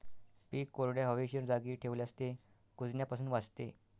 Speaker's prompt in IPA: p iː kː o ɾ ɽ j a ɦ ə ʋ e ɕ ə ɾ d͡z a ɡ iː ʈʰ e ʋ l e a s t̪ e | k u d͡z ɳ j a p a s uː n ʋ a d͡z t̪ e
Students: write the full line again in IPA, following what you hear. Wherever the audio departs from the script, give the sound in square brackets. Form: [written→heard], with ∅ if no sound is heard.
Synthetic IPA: p iː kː o ɾ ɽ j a ɦ ə ʋ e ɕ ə ɾ d͡z a ɡ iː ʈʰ e ʋ l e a s t̪ e | k u d͡z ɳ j a p a s uː n ʋ a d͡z t̪ e